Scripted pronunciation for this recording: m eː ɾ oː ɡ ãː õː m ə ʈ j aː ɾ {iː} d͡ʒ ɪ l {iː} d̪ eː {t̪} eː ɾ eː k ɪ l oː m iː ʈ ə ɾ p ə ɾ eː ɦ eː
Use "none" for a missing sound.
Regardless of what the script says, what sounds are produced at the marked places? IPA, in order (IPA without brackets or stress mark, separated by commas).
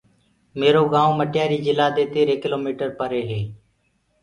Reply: iː, aː, t̪